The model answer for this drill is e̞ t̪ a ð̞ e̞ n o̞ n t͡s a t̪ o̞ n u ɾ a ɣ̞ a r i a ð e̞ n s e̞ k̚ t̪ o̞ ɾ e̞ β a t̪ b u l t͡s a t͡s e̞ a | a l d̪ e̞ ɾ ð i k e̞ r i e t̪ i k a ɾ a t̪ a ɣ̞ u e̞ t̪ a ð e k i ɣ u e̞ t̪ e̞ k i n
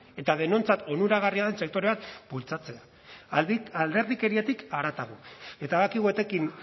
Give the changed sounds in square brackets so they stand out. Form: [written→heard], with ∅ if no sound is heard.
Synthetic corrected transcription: e̞ t̪ a ð̞ e̞ n o̞ n t͡s a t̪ o̞ n u ɾ a ɣ̞ a r i a ð e̞ n s e̞ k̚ t̪ o̞ ɾ e̞ β a t̪ b u l t͡s a t͡s e̞ a | a l d̪ e̞ ɾ ð i k e̞ [r→ɾ] i e t̪ i k a ɾ a t̪ a ɣ̞ u e̞ t̪ a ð [e→a] k i ɣ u e̞ t̪ e̞ k i n